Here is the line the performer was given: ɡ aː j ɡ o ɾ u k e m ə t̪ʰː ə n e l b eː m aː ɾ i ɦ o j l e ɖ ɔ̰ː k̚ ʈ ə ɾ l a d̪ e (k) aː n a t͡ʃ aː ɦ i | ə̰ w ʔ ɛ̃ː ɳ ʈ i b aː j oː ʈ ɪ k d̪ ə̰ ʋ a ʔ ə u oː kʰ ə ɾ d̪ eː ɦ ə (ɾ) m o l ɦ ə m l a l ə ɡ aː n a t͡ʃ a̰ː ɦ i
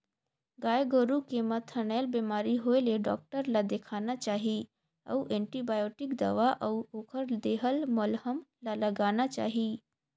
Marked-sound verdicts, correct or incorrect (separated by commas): incorrect, incorrect